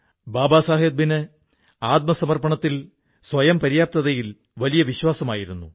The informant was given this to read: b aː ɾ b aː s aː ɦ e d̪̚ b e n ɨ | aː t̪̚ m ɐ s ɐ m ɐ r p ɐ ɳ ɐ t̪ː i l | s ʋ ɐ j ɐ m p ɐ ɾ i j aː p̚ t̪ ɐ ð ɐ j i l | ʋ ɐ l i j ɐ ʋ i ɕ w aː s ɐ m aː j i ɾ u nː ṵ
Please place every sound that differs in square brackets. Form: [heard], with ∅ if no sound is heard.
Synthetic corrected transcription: b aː [∅] b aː s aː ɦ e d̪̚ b [i] n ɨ | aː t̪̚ m ɐ s ɐ m ɐ r p ɐ ɳ ɐ t̪ː i l | s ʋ ɐ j ɐ m p ɐ ɾ i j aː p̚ t̪ ɐ ð ɐ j i l | ʋ ɐ l i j ɐ ʋ i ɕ w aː s ɐ m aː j i ɾ u nː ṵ